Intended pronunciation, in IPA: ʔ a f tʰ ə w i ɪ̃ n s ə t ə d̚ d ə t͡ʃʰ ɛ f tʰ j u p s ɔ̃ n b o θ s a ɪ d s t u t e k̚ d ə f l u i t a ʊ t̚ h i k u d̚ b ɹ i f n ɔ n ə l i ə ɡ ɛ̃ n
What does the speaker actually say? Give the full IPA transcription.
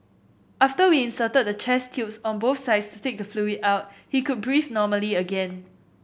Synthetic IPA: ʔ a f t ə w i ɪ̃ n s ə t ə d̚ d ə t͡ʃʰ ɛ s tʰ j u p s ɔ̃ n b o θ s a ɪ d s t u t e k̚ d ə f l u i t a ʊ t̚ h i k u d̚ b ɹ i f n ɔ m ə l i ə ɡ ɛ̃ n

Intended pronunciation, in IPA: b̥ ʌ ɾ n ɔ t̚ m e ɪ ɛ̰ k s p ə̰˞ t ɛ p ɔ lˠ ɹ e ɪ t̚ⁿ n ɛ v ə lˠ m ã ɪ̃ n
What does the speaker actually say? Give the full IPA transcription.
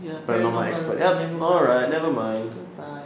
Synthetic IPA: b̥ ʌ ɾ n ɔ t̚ m a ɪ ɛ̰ k s p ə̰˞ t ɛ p ɔ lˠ ɹ a ɪ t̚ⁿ n ɛ v ə m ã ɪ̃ n

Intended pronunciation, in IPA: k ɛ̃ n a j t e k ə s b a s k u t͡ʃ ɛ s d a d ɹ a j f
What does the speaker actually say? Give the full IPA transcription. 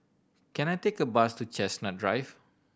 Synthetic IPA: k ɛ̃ n a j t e k ə b a s t u t͡ʃ ɛ s n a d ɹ a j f

